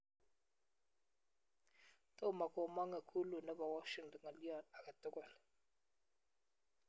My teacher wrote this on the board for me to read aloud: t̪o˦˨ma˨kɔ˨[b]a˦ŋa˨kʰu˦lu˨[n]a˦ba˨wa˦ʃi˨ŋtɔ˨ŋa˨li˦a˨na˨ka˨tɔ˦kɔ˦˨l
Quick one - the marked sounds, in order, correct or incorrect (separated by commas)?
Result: incorrect, correct